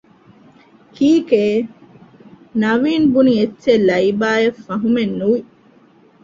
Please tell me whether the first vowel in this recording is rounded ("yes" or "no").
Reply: no